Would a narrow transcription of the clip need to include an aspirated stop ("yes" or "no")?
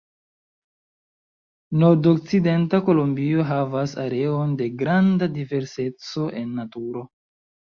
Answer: no